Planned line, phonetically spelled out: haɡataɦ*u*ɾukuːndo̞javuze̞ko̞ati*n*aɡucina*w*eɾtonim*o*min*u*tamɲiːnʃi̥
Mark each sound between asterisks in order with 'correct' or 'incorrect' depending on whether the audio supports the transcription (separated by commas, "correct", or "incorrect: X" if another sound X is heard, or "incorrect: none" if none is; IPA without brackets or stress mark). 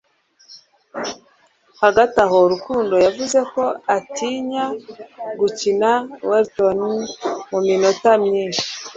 incorrect: o, incorrect: ɲ, correct, incorrect: u, incorrect: o